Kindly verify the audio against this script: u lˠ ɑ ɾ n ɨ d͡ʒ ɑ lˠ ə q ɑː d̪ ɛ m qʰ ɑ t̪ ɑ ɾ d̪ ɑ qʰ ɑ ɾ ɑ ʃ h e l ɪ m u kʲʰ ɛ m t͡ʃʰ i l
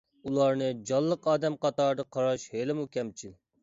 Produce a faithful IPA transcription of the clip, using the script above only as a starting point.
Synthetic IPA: u lˠ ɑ ɾ n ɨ d͡ʒ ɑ lˠː ə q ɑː d̪ ɛ m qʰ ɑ t̪ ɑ ɾ d̪ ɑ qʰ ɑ ɾ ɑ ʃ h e l ɪ m u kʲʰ ɛ m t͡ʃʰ i l